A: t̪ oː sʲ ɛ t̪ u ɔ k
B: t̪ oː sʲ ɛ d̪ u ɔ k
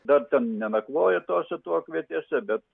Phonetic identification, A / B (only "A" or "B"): A